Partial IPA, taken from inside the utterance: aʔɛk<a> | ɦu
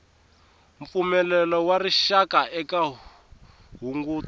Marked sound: correct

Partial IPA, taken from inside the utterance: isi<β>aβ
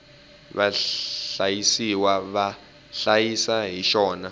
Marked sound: incorrect: w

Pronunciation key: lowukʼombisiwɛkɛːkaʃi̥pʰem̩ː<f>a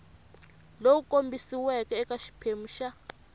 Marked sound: incorrect: ʃ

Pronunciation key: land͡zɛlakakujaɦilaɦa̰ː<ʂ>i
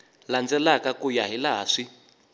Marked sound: correct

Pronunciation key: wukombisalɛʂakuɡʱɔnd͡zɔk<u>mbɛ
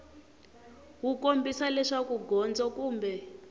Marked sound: incorrect: uː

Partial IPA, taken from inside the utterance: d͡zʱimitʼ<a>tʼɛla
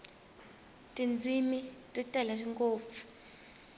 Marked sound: incorrect: i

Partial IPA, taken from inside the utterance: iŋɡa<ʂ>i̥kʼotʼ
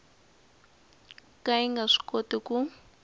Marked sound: correct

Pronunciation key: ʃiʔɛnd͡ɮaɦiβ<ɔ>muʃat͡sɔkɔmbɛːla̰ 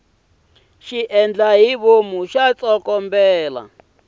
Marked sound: incorrect: o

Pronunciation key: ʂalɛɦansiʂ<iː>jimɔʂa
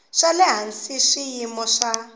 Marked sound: incorrect: i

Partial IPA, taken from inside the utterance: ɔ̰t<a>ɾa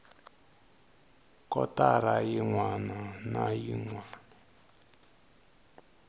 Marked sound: correct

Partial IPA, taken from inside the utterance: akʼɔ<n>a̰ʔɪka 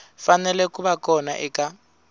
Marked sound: correct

